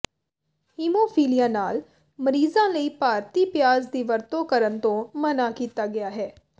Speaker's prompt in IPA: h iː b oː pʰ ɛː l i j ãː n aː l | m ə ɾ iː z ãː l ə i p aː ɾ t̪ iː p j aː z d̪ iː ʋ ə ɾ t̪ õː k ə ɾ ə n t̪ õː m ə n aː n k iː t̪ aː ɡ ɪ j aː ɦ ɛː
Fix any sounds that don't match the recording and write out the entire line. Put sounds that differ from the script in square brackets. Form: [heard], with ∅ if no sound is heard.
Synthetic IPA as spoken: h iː [m] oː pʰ [iː] l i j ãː n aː l | m ə ɾ iː z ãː l ə [iː] p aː ɾ t̪ iː p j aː z d̪ iː ʋ ə ɾ t̪ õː k ə ɾ ə n t̪ õː m ə n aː [∅] k iː t̪ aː ɡ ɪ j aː ɦ ɛː